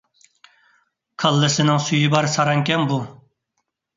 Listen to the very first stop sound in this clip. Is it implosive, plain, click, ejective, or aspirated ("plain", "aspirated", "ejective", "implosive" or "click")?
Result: aspirated